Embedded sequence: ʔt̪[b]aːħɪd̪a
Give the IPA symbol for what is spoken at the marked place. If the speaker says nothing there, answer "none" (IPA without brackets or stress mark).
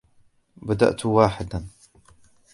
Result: w